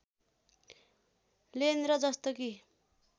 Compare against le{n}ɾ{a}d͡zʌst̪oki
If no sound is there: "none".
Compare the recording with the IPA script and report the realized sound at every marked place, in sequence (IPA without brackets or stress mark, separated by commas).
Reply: n, ʌ